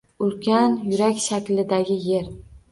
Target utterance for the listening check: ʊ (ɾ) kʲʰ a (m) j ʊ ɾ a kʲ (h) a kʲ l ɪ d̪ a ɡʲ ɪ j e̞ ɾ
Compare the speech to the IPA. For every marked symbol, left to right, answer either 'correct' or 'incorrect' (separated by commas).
incorrect, incorrect, incorrect